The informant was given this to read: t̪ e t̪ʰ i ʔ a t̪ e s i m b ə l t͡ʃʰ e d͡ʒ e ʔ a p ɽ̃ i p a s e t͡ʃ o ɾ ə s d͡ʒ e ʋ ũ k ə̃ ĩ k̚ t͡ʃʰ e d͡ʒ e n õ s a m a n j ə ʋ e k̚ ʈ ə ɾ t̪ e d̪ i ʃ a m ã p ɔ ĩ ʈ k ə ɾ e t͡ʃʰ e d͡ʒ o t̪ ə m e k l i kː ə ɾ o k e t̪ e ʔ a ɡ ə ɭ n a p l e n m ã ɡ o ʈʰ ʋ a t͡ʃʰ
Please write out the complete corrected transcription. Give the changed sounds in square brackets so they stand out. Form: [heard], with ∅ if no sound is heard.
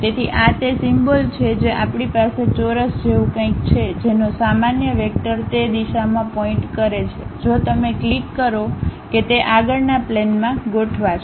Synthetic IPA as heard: t̪ e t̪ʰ i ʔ a t̪ e s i m b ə l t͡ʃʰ e d͡ʒ e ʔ a p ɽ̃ i p a s e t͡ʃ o ɾ ə s d͡ʒ e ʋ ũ k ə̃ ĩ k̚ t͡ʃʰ e d͡ʒ e n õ s a m a n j ə ʋ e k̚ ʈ ə ɾ t̪ e d̪ i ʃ a m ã p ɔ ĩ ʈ k ə ɾ e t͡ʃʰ e d͡ʒ o t̪ ə m e k l i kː ə ɾ o k e t̪ e ʔ a ɡ ə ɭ n a p l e n m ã ɡ o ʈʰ ʋ a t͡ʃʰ